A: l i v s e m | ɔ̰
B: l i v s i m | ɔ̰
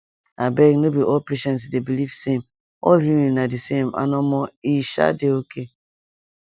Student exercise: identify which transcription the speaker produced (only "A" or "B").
A